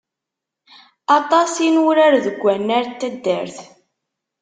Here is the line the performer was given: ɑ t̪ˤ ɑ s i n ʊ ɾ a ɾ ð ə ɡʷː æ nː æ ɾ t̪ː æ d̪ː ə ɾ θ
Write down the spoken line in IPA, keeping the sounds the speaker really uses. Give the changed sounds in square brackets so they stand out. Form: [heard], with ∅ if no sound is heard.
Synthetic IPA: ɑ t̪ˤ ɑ s i n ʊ ɾ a ɾ ð ə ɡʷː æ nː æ ɾ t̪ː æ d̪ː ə ɾ θ